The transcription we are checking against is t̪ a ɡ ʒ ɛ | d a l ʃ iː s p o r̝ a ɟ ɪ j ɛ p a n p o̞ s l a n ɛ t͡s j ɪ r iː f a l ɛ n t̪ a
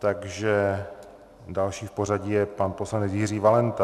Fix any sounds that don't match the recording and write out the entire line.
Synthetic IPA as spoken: t̪ a ɡ ʒ ɛ | d a l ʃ iː f p o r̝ a ɟ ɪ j ɛ p a n p o̞ s l a n ɛ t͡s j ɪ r iː v a l ɛ n t̪ a